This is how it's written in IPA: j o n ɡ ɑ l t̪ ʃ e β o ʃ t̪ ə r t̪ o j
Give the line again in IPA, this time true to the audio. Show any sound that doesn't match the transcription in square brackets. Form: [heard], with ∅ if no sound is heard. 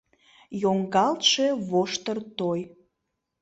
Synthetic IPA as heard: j o [ŋ] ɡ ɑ l t̪ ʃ e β o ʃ t̪ ə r t̪ o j